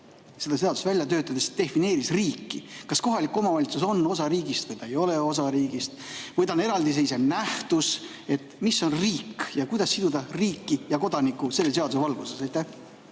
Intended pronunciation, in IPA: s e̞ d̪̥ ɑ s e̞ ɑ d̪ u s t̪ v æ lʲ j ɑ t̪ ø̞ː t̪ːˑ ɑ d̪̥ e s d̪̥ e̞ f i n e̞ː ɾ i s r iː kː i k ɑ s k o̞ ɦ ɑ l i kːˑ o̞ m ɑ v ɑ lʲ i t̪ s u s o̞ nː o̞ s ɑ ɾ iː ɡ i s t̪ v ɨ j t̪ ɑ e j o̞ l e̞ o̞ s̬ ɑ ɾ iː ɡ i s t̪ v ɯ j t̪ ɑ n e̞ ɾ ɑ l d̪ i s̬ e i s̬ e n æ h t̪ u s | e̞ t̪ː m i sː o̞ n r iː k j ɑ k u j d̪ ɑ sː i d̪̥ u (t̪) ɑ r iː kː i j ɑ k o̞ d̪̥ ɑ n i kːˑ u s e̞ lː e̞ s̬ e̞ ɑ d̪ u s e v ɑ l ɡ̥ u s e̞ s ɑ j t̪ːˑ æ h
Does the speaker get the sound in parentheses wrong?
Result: yes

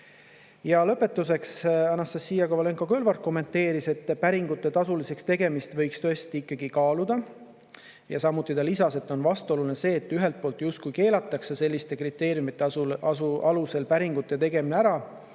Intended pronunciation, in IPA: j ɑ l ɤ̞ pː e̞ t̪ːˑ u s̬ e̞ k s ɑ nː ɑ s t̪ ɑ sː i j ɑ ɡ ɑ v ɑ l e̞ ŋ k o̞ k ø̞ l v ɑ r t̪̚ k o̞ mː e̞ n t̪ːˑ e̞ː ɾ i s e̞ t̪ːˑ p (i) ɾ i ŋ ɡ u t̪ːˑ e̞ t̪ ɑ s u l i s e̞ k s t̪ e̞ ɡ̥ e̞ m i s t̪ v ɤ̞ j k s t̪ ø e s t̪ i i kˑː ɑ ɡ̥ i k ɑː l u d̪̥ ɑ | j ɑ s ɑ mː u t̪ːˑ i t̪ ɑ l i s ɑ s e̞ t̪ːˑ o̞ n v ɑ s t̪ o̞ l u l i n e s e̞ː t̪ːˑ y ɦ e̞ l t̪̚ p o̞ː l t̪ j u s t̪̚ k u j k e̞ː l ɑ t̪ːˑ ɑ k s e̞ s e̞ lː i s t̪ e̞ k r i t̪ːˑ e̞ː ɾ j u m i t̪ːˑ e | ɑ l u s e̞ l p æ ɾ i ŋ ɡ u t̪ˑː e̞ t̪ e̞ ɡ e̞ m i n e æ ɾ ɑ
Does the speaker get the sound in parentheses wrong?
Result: yes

